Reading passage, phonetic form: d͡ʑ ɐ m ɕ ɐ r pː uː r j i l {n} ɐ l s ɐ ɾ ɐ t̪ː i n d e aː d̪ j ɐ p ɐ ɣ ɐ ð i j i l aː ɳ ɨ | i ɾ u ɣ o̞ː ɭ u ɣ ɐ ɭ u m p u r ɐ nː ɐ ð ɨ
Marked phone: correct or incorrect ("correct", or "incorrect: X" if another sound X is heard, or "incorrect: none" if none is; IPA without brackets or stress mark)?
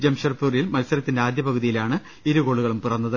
incorrect: m